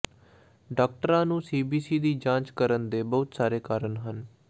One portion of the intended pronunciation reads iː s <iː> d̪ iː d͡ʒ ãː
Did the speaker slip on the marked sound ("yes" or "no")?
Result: no